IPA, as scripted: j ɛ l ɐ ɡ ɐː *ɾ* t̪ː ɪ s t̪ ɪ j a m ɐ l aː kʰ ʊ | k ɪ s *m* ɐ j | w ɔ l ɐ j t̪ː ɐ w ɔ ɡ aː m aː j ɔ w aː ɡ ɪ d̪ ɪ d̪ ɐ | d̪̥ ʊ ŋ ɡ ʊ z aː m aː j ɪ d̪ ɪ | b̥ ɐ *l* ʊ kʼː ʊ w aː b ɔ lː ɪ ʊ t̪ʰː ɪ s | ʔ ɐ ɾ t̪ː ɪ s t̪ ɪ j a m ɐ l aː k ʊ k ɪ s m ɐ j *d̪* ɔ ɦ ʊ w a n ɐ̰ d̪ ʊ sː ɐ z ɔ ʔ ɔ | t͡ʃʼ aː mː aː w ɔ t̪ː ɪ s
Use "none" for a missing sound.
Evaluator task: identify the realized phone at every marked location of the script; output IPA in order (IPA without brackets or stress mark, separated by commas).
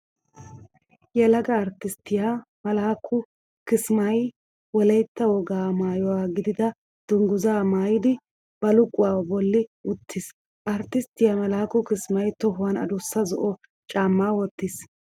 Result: ɾ, m, l, t̪